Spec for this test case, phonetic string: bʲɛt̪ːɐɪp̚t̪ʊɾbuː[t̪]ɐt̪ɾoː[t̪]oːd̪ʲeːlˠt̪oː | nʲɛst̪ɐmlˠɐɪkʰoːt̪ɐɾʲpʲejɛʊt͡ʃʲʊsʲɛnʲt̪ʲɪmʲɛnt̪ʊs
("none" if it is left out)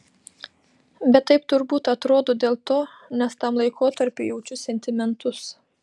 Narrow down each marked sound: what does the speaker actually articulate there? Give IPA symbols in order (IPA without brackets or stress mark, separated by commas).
t̪, d̪